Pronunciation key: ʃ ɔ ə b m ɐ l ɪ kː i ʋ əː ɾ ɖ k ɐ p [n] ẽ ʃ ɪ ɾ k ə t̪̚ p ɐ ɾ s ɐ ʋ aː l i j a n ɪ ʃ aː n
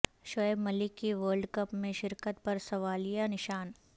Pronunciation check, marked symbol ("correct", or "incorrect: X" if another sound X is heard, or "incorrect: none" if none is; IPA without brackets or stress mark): incorrect: m